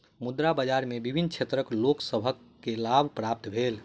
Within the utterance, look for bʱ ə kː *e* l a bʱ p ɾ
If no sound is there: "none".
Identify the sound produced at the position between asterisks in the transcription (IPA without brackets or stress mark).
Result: e